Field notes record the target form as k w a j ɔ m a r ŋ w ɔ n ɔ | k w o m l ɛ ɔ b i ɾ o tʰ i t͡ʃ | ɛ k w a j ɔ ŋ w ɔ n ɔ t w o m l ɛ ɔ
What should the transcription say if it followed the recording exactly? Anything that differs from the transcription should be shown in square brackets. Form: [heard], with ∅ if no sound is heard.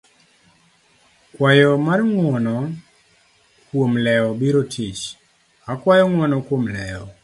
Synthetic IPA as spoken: k w a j ɔ m a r ŋ w ɔ n ɔ | k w o m l ɛ ɔ b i ɾ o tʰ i t͡ʃ | [a] k w a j ɔ ŋ w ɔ n ɔ [k] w o m l ɛ ɔ